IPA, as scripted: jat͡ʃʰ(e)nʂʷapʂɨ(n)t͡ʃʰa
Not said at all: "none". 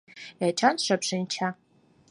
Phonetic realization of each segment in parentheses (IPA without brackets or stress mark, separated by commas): a, n